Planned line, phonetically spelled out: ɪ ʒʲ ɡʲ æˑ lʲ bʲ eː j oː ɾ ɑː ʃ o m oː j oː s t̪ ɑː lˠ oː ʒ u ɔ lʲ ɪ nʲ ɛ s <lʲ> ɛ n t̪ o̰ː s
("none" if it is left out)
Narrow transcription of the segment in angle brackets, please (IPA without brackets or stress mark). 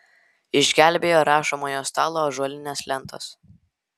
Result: lʲ